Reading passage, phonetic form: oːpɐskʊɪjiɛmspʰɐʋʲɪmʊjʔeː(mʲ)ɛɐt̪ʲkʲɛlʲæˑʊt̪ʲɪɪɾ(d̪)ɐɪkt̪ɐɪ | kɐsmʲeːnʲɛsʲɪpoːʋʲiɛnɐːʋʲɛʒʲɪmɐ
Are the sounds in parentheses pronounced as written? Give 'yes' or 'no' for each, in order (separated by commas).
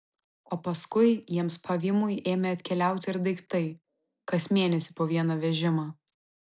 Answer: yes, yes